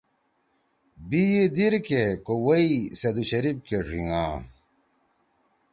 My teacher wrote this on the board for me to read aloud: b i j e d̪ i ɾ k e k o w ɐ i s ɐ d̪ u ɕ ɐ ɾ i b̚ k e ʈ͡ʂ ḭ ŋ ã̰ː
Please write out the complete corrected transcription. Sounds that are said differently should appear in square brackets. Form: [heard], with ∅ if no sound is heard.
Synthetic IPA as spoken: b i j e d̪ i ɾ k e k o w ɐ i s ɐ d̪ u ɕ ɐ ɾ i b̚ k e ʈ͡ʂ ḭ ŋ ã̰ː